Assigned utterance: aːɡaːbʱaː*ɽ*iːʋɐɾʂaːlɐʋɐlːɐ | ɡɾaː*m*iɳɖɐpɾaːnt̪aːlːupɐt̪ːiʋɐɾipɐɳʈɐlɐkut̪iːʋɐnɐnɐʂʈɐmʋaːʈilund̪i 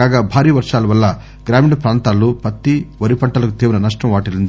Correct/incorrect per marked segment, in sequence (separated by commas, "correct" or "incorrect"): incorrect, correct